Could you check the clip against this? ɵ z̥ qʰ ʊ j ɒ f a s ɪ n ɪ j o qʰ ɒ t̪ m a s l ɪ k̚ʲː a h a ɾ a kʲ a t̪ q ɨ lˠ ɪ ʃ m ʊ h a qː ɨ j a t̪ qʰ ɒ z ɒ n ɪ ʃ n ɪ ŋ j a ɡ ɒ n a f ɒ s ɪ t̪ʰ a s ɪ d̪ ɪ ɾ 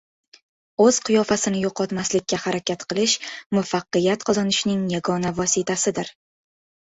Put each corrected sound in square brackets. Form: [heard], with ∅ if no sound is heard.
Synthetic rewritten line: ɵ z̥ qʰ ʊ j ɒ f a s ɪ n ɪ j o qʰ ɒ t̪ m a s l ɪ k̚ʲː a h a ɾ a kʲ a t̪ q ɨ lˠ ɪ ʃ m ʊ [f] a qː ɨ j a t̪ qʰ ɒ z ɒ n ɪ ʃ n ɪ ŋ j a ɡ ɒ n a [v] ɒ s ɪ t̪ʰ a s ɪ d̪ ɪ ɾ